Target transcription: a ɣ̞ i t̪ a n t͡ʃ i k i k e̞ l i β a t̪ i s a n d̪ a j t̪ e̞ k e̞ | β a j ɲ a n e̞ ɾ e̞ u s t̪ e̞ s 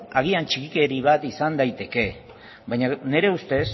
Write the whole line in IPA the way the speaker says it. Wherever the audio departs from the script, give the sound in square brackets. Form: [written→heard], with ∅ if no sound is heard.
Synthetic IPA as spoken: a ɣ̞ i [t̪→∅] a n t͡ʃ i k i k e̞ [l→ɾ] i β a t̪ i s a n d̪ a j t̪ e̞ k e̞ | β a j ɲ a n e̞ ɾ e̞ u s t̪ e̞ s